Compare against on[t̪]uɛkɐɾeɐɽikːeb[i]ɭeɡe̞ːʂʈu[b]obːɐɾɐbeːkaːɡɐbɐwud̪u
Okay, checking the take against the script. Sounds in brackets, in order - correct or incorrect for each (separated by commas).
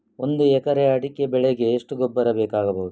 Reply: incorrect, incorrect, incorrect